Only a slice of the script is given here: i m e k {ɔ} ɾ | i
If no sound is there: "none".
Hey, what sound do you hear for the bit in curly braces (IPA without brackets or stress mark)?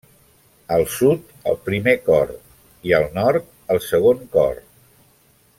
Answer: ɔ